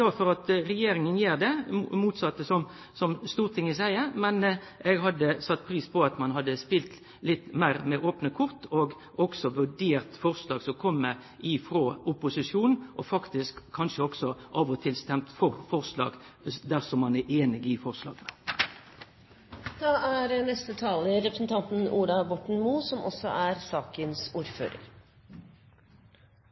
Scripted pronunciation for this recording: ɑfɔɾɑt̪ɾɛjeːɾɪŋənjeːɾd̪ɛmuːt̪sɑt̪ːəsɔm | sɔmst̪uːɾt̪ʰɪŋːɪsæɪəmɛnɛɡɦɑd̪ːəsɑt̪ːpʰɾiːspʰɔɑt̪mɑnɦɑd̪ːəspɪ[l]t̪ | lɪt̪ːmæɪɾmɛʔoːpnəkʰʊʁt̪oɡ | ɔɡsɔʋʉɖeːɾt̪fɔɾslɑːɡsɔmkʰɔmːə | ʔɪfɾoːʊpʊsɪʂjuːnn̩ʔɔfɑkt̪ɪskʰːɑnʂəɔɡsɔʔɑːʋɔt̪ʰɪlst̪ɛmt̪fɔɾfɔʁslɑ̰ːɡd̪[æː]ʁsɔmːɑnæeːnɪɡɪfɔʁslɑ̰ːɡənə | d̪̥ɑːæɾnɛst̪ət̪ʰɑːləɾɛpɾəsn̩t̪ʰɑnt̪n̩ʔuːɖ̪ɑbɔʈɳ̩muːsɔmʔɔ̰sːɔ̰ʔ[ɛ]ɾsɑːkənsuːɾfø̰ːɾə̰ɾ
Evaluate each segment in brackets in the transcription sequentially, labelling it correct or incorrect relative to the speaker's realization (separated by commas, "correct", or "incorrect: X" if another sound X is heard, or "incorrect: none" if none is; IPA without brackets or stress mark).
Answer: correct, incorrect: æ, incorrect: æ